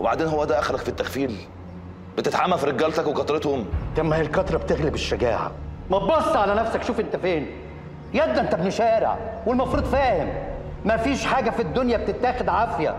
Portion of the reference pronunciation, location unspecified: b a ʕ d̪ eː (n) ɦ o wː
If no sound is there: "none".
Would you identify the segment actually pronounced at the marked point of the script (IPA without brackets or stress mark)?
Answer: n